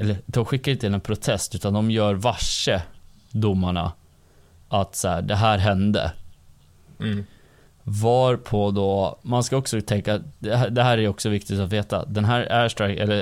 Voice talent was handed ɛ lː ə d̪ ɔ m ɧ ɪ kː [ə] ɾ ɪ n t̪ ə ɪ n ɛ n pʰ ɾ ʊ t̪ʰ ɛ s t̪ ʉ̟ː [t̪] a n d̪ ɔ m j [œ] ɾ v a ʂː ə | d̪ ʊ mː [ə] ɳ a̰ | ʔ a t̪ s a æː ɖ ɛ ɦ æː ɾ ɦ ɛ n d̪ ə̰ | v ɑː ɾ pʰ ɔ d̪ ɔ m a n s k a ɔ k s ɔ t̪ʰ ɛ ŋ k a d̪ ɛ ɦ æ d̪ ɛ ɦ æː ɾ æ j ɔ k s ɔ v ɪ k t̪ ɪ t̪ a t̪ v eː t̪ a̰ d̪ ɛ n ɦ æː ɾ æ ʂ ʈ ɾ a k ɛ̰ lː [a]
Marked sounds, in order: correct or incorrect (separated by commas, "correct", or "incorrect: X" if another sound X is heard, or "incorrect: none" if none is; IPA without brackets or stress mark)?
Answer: incorrect: a, correct, incorrect: œː, incorrect: a, incorrect: ə